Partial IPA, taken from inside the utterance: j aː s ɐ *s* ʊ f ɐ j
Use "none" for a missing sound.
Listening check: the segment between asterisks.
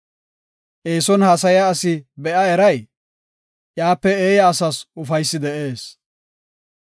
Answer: s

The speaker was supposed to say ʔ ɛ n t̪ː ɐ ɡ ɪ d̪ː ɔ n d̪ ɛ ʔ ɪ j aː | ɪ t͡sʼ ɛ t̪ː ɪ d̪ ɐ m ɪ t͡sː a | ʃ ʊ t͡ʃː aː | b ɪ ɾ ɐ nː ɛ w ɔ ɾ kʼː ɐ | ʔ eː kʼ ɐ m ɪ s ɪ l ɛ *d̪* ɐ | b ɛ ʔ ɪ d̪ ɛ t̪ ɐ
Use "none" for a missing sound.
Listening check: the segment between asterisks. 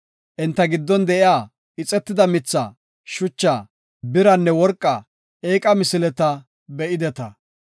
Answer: t̪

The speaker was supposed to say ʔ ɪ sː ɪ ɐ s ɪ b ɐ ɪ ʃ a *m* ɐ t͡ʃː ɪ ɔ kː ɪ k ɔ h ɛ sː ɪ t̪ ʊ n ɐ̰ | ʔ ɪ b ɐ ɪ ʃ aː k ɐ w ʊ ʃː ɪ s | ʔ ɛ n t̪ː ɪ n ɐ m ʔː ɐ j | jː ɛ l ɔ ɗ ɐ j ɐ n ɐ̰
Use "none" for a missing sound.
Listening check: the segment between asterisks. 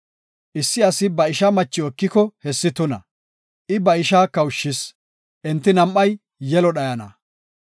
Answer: m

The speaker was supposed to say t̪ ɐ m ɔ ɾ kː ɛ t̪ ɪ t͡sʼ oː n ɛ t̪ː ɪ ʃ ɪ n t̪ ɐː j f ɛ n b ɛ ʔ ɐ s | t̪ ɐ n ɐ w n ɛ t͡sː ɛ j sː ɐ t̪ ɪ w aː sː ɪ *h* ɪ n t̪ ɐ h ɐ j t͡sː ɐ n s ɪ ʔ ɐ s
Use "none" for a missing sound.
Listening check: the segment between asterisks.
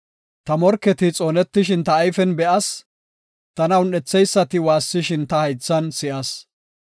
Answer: ʃ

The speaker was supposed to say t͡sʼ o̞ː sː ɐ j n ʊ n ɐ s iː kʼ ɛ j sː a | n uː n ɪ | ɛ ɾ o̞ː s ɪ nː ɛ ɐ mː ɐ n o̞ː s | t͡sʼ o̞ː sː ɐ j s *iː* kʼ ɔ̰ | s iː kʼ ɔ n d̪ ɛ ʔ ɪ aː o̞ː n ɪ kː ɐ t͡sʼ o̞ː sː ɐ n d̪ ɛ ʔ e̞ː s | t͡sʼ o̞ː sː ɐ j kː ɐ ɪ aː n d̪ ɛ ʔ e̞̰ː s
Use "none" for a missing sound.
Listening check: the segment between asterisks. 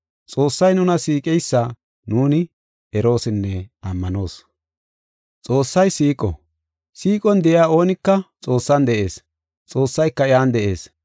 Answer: iː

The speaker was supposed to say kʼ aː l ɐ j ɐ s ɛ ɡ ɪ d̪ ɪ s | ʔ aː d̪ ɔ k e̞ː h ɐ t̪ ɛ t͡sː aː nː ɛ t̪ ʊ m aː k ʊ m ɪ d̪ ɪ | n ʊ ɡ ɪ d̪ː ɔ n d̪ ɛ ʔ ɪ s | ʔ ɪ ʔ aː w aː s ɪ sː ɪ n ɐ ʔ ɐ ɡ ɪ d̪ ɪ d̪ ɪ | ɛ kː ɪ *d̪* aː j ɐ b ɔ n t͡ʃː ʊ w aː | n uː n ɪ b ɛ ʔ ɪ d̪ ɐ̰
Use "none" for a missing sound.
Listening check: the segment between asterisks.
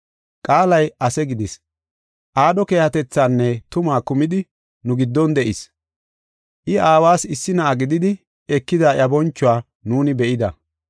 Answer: d̪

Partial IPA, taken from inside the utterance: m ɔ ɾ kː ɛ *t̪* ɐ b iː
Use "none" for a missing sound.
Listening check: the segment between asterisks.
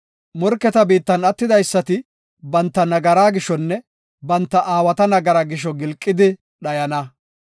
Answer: t̪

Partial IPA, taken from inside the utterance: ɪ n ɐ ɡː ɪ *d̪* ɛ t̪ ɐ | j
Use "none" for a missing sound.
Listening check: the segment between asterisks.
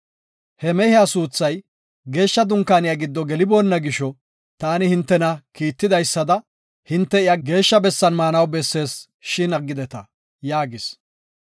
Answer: d̪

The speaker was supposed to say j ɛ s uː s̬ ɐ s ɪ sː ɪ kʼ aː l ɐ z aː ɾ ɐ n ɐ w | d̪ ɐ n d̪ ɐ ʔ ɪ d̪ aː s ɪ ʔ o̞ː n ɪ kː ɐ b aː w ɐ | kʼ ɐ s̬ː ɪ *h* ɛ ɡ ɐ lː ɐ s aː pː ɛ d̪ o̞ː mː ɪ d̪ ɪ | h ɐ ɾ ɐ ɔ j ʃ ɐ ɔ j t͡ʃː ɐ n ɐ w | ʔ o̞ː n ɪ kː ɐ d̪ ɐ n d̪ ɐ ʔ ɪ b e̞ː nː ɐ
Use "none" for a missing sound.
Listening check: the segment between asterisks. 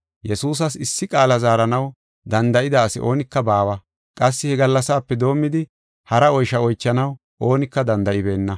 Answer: h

